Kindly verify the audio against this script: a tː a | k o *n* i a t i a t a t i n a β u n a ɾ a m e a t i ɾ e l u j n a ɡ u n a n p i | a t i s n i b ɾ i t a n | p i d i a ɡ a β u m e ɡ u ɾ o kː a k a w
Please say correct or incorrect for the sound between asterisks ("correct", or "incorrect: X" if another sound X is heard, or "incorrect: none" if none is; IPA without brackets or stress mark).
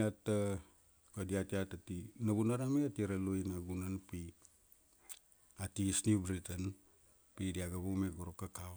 incorrect: d